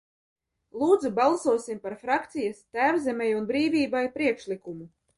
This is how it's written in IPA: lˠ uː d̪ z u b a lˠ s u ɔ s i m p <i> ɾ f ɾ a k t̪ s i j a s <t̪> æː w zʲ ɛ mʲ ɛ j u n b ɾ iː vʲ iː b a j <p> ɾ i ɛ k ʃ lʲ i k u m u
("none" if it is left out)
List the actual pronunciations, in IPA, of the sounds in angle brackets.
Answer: a, t̪, p

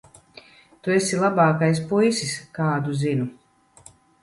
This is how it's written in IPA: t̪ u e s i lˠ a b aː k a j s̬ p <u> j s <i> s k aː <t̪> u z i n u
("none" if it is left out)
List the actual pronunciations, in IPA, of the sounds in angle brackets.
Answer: u, i, d̪

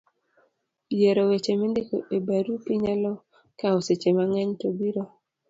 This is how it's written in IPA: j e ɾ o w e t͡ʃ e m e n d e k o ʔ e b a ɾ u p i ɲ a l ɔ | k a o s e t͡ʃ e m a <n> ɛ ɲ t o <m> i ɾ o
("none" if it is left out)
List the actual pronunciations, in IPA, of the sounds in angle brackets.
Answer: ŋ, b

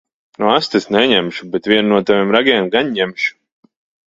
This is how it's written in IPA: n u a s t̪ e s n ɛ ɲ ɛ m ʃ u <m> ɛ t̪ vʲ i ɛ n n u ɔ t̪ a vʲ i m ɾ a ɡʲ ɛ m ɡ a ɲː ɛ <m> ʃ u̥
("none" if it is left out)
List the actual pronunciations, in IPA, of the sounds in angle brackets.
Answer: b, m

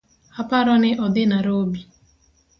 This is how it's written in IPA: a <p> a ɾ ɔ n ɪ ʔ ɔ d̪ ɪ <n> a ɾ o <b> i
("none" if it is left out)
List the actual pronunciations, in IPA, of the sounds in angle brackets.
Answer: p, n, b

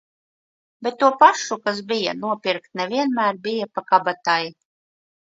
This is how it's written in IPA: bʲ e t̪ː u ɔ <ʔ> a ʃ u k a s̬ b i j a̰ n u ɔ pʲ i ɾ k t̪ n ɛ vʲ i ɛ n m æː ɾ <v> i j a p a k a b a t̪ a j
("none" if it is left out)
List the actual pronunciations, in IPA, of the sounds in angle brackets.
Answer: p, b

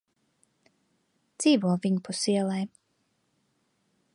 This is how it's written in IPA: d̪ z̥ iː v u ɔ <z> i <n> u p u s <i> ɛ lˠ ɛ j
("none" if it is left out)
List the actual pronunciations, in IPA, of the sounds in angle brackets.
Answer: v, ɲ, i

